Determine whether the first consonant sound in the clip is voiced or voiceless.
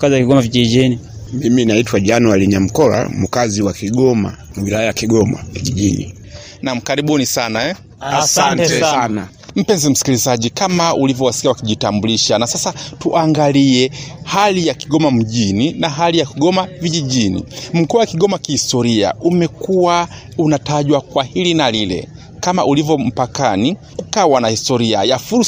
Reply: voiceless